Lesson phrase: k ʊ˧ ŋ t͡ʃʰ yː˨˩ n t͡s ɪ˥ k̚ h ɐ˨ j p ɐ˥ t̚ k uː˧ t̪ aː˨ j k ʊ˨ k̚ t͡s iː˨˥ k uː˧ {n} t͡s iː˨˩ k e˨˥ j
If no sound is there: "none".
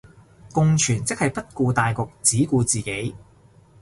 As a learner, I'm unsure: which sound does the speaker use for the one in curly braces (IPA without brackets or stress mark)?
none